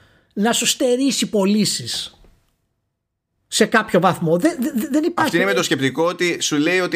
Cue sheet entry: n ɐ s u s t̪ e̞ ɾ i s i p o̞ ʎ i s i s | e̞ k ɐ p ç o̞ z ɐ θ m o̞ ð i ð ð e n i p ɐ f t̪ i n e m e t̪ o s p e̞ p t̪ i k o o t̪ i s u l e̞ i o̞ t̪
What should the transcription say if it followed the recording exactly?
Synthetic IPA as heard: n ɐ s u s t̪ e̞ ɾ i s i p o̞ l i s i s | e̞ k ɐ p ç o̞ v ɐ θ m o̞ ð e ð ð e n i p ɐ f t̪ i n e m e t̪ o s c e̞ p t̪ i k o o t̪ i s u l e̞ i o̞ t̪